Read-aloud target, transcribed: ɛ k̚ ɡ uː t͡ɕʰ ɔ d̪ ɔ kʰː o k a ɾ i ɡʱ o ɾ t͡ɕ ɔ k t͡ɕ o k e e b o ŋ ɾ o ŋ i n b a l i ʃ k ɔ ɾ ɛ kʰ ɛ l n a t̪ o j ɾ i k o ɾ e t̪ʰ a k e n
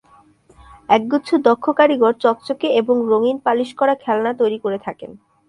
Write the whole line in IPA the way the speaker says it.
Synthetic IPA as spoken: ɛ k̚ ɡ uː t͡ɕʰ u d̪ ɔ kʰː o k a ɾ i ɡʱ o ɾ t͡ɕ ɔ k t͡ɕ o k e e b o ŋ ɾ o ŋ i n p a l i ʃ k ɔ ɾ a kʰ ɛ l n a t̪ o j ɾ i k o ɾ e t̪ʰ a k e n